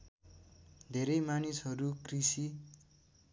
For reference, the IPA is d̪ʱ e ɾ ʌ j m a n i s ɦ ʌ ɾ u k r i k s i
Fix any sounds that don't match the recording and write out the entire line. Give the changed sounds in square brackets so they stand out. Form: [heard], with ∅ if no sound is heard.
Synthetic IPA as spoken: d̪ʱ e ɾ ʌ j m a n i s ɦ ʌ ɾ u k r i [∅] s i